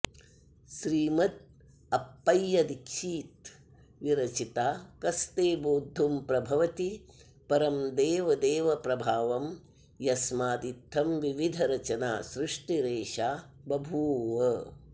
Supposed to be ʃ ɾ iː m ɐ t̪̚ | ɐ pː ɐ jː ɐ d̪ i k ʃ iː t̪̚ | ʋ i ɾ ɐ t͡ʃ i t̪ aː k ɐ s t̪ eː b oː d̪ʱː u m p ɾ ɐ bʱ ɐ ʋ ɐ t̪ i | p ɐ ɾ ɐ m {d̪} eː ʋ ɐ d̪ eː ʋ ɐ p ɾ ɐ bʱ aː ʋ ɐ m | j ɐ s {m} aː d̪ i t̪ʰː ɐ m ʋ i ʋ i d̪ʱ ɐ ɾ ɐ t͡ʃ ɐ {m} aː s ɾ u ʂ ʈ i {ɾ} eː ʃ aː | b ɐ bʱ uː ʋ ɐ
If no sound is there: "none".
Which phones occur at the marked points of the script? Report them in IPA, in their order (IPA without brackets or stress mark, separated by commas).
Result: d̪, m, n, ɾ